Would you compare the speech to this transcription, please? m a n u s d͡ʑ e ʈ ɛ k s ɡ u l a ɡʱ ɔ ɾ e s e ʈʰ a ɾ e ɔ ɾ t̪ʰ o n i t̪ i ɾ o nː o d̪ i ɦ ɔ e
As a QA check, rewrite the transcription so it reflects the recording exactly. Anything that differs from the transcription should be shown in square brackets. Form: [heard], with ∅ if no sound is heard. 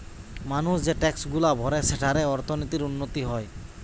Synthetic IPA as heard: m a n u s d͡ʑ e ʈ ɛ k s ɡ u l a [bʱ] ɔ ɾ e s e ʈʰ a ɾ e ɔ ɾ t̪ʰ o n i t̪ i ɾ [u] nː o [t̪] i ɦ ɔ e